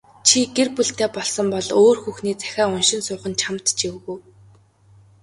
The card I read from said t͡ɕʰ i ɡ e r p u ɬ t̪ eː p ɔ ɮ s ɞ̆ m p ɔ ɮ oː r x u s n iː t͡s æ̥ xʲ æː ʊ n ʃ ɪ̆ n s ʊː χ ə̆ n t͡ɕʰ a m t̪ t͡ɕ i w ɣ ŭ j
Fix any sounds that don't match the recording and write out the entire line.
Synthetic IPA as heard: t͡ɕʰ i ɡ e r p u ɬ t̪ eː p ɔ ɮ s ɞ̆ m p ɔ ɮ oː r x u x n iː t͡s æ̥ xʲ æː ʊ n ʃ ɪ̆ n s ʊː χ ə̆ n t͡ɕʰ a m t̪ t͡ɕ i w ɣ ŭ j